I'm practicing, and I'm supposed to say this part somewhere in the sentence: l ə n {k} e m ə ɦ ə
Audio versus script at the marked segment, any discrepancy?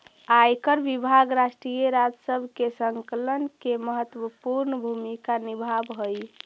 no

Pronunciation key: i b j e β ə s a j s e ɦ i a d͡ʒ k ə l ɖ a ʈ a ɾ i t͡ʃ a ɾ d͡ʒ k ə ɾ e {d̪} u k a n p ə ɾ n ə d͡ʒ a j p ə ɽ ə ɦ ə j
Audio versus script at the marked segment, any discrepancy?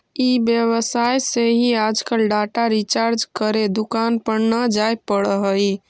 no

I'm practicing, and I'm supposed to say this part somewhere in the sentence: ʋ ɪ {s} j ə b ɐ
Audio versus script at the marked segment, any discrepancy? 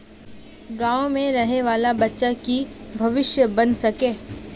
yes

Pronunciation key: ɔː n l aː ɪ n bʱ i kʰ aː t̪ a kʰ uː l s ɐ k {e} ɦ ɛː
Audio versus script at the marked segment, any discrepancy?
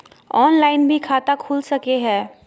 no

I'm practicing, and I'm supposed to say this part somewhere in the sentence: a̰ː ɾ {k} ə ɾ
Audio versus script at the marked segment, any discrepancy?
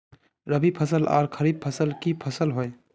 yes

